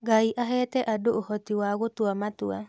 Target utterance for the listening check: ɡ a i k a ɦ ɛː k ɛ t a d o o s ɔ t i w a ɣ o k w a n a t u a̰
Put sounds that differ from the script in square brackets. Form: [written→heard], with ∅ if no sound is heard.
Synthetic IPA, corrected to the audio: ɡ a i [k→ʔ] a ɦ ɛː [k→t] ɛ [t→ʔ] a d o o [s→h] ɔ t i w a ɣ o [k→t] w a [n→m] a t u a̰